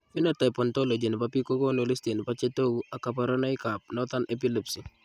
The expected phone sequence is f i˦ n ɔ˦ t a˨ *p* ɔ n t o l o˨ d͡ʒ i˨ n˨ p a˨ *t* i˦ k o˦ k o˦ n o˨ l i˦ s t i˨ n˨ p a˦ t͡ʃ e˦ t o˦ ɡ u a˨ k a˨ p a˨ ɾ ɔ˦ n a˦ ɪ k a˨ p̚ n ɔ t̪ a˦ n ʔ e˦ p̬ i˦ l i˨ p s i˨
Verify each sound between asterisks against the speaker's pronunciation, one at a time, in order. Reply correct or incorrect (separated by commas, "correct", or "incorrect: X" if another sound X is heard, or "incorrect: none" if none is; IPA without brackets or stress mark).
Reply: correct, incorrect: p